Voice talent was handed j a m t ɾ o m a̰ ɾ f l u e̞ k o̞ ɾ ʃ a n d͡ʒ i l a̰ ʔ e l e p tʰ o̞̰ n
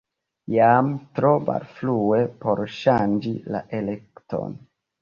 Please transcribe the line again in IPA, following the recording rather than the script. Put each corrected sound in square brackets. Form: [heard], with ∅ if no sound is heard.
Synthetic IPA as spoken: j a m t ɾ o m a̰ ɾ f l u e̞ [p] o̞ ɾ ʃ a n d͡ʒ i l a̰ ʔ e l e [k] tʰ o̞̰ n